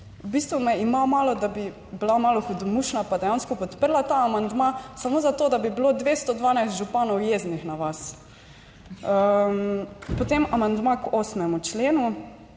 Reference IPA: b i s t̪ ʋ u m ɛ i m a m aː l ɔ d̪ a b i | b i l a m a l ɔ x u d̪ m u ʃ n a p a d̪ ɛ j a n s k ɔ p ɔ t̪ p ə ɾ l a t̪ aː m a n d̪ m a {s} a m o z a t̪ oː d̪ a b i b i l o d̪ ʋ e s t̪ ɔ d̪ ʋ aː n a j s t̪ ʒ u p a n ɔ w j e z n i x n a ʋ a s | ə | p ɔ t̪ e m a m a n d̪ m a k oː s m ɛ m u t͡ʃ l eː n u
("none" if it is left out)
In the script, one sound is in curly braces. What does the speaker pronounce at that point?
s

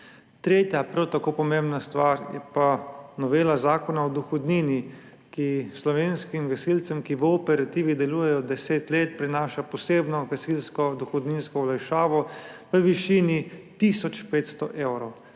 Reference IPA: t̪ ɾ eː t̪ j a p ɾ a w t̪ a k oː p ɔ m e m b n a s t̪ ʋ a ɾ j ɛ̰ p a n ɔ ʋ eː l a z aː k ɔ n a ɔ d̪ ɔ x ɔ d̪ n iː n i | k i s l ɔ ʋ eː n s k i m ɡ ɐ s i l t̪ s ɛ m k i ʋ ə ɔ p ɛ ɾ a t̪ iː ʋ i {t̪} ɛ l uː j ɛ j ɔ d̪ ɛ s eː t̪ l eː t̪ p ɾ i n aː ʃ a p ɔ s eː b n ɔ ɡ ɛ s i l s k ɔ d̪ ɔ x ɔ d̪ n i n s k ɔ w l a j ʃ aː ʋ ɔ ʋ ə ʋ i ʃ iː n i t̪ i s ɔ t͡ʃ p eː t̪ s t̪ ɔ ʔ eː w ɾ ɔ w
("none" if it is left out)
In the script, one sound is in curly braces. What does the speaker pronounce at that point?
d̪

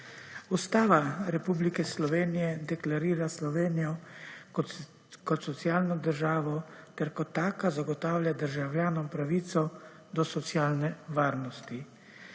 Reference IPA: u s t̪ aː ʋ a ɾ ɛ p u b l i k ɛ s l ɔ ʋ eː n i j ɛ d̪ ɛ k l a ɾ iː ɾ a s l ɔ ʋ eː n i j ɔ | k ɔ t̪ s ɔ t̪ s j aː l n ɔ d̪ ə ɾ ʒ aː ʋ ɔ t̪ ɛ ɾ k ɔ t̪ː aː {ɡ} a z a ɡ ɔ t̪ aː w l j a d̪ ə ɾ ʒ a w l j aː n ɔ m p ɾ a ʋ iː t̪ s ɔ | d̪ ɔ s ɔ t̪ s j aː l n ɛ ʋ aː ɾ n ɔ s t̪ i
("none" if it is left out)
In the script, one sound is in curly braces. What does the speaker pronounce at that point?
k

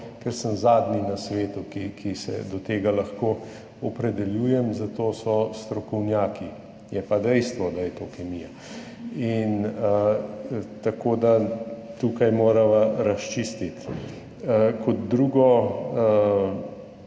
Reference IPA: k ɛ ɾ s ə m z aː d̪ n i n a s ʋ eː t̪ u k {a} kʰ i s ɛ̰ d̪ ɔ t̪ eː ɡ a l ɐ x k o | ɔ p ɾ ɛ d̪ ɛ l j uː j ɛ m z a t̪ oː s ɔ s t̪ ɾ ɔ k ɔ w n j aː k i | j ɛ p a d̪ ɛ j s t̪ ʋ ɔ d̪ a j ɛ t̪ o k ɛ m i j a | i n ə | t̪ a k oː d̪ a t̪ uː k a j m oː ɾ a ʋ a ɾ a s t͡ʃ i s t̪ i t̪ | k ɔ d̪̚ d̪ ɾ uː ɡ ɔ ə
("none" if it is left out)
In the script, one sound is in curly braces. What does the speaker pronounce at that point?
i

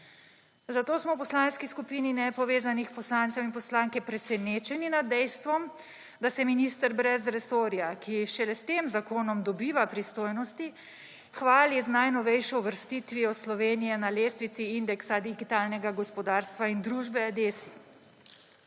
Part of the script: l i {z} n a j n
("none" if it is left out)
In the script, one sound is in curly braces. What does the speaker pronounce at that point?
z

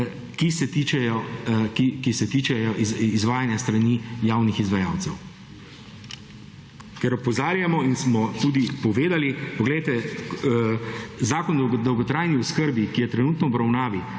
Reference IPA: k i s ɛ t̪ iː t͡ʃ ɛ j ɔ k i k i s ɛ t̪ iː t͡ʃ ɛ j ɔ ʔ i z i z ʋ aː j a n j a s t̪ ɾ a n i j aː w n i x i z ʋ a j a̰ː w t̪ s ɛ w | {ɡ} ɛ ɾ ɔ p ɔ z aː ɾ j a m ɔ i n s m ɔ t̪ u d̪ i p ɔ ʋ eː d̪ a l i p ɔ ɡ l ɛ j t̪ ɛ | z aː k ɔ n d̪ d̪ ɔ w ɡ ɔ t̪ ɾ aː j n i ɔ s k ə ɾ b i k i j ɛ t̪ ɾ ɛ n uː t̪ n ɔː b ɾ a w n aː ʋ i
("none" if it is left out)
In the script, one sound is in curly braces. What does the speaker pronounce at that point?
k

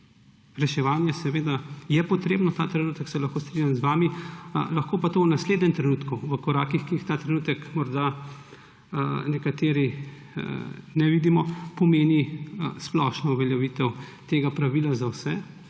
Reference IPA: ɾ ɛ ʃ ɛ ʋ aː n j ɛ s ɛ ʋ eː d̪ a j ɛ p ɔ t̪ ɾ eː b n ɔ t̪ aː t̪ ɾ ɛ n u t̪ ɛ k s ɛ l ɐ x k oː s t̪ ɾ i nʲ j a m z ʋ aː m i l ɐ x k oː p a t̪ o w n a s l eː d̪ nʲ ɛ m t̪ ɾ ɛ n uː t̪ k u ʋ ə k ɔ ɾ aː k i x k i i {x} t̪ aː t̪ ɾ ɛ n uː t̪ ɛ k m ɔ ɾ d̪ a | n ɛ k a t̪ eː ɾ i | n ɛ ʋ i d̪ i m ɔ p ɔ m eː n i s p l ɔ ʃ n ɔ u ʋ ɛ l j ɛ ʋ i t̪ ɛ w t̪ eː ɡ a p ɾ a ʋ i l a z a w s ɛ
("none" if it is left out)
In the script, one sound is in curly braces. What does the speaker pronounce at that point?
x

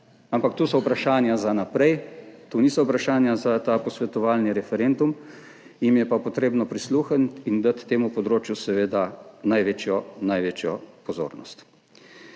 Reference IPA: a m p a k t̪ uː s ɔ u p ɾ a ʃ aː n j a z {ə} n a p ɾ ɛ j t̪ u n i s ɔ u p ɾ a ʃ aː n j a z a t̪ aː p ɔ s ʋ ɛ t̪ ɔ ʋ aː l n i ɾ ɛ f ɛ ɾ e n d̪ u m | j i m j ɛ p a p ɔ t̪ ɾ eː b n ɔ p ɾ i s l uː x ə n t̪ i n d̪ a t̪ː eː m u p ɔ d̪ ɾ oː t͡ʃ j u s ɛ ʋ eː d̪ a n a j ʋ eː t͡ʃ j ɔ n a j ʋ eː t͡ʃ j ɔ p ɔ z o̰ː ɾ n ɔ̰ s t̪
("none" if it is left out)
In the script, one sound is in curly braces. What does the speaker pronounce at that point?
a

